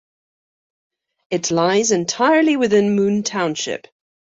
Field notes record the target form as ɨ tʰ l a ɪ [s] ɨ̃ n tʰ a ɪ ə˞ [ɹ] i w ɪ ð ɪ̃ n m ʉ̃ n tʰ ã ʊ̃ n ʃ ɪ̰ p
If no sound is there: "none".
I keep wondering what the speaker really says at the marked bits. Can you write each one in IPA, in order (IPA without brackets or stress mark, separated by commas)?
z, l